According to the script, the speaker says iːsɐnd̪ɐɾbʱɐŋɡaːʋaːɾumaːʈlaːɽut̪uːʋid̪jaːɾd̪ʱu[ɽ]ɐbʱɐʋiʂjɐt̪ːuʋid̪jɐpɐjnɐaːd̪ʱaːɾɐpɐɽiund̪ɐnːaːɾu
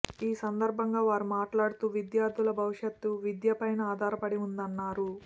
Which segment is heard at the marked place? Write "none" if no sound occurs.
l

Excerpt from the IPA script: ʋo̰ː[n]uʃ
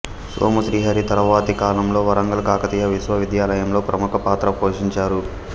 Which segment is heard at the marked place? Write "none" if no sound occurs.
m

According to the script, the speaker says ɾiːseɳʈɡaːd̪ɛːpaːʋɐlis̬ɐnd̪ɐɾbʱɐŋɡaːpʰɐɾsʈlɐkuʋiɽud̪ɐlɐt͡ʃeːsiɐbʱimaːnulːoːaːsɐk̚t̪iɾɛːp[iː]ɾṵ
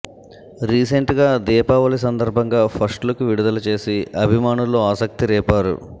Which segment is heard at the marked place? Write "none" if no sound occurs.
aː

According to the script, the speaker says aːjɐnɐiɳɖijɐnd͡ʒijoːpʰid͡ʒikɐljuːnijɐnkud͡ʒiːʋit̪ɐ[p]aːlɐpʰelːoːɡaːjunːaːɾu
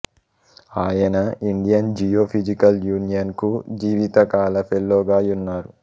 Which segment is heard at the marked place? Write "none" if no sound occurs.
k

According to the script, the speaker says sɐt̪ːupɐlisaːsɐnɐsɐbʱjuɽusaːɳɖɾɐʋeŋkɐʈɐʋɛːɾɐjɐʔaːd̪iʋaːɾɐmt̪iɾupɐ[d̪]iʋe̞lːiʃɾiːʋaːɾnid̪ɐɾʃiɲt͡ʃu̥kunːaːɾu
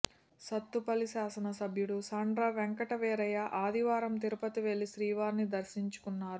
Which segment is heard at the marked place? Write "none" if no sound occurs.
t̪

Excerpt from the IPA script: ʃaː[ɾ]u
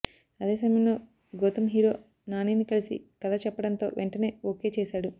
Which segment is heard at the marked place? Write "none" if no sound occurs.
ɽ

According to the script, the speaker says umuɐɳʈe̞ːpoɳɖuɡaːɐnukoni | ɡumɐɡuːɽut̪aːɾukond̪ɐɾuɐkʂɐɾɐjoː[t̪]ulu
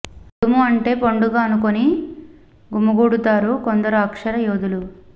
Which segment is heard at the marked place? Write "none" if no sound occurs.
d̪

